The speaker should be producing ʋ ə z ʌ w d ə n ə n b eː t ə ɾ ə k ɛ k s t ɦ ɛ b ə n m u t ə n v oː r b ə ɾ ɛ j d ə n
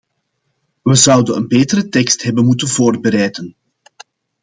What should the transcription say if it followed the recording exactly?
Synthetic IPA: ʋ ə z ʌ w d ə n ə n b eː t ə ɾ ə t ɛ k s t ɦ ɛ b ə n m u t ə n v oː r b ə ɾ ɛ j d ə n

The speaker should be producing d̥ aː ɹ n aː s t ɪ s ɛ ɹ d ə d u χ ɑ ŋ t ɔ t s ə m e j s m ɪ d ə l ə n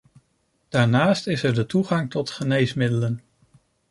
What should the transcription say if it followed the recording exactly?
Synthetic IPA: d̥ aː ɹ n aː s t ɪ s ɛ ɹ d ə t u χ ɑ ŋ t ɔ t χ ə n e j s m ɪ d ə l ə n

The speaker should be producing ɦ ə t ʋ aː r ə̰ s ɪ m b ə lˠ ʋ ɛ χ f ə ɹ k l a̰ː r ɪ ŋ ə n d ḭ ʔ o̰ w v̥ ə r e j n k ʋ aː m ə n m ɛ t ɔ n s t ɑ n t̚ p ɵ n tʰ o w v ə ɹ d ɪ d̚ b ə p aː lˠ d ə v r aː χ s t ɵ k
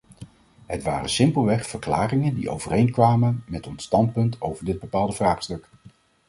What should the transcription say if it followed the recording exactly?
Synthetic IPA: ɦ ə t ʋ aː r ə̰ s ɪ m p ə lˠ ʋ ɛ χ f ə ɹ k l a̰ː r ɪ ŋ ə n d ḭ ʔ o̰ w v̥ ə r e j n k ʋ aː m ə n m ɛ t ɔ n s t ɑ n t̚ p ɵ n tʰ o w v ə ɹ d ɪ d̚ b ə p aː lˠ d ə v r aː χ s t ɵ k

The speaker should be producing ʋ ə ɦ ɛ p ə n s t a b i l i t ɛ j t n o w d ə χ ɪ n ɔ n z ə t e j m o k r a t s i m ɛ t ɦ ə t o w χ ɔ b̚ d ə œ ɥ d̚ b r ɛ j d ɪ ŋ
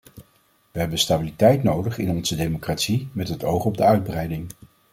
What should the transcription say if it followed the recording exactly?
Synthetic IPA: ʋ ə ɦ ɛ b ə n s t a b i l i t ɛ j t n o w d ə χ ɪ n ɔ n z ə d e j m o k r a t s i m ɛ t ɦ ə t o w χ ɔ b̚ d ə œ ɥ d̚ b r ɛ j d ɪ ŋ

